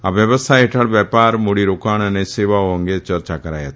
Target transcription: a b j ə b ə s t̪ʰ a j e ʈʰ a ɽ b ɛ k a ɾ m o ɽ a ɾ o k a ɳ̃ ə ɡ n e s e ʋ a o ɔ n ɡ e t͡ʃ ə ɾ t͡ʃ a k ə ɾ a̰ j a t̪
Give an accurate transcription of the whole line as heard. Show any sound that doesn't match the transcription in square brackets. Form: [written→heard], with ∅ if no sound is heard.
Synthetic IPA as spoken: a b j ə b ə s t̪ʰ a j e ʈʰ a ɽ b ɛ [k→p] a ɾ m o ɽ [a→i] ɾ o k a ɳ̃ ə [ɡ→∅] n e s e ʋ a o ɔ [n→ŋ] ɡ e t͡ʃ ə ɾ t͡ʃ a k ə ɾ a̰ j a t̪